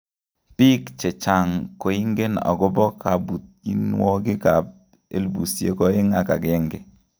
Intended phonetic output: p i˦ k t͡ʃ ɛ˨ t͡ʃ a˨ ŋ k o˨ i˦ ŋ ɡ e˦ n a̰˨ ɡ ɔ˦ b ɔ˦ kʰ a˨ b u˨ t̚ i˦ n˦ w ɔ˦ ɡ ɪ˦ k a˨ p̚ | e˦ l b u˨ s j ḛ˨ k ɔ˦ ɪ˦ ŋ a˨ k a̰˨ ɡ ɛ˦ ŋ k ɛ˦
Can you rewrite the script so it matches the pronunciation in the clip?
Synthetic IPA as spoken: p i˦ k t͡ʃ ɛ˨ t͡ʃ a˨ ŋ k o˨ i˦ ŋ ɡ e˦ n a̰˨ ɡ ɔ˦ b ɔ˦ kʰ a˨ b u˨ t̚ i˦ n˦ w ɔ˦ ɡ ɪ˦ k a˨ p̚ | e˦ l b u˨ s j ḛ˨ k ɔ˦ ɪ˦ ŋ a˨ k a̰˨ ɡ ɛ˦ ŋ ɡ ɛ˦